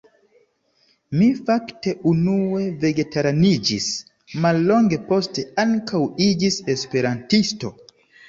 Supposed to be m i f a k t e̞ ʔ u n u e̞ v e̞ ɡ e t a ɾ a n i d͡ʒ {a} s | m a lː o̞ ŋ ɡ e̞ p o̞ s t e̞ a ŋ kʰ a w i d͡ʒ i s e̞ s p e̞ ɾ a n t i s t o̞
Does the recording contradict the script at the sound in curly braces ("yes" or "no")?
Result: yes